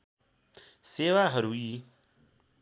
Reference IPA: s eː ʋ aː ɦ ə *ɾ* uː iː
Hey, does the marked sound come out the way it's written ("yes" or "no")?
yes